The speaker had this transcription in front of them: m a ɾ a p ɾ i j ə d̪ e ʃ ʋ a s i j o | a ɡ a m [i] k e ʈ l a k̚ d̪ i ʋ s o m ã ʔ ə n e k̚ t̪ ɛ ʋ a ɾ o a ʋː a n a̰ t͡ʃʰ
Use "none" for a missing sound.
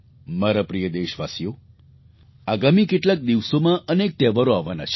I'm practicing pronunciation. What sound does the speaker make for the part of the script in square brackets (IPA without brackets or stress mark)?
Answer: i